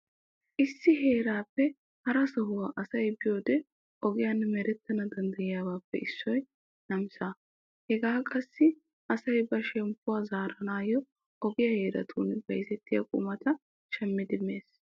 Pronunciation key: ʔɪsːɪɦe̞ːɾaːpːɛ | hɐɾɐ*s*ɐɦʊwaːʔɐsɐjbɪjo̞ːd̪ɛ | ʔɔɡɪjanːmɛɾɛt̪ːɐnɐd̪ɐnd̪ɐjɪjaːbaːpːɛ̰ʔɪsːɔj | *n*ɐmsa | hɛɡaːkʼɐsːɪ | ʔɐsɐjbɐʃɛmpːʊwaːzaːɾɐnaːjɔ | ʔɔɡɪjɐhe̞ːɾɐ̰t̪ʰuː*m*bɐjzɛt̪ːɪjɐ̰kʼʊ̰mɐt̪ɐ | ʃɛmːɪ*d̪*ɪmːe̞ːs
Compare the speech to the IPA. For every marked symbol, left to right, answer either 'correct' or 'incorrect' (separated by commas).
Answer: correct, correct, incorrect, correct